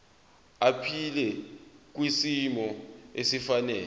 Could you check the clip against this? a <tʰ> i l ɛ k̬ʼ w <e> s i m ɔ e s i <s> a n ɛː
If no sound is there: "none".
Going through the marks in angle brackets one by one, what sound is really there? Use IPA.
pʰ, i, f

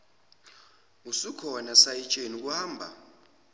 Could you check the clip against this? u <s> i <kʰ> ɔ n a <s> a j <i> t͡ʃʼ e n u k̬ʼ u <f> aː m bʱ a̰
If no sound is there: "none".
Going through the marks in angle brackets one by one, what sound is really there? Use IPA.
s, kʰ, s, i, h

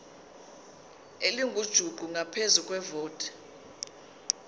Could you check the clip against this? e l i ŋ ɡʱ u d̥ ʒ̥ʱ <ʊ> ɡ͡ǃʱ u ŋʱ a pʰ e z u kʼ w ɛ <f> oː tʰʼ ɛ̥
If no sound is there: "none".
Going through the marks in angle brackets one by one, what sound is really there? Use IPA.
u, v

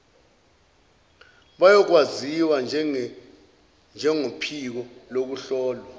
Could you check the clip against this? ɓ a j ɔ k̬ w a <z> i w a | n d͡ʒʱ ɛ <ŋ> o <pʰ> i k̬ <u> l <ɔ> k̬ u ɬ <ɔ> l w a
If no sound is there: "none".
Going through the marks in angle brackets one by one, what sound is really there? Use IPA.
z, ŋ, pʰ, ɔ, o, ɔː

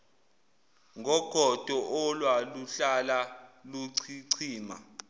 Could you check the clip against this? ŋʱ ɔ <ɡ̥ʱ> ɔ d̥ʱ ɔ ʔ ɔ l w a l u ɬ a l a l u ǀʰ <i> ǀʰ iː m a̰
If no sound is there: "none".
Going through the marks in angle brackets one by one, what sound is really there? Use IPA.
ɡ̥ʱ, i

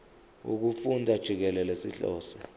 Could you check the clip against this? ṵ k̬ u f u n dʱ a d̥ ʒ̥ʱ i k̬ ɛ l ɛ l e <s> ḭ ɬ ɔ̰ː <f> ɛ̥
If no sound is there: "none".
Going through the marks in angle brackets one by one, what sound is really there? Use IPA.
s, s

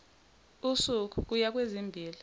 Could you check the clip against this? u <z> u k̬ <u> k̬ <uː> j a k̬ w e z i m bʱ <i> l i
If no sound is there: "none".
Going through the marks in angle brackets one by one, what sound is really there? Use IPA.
s, u, u, iː

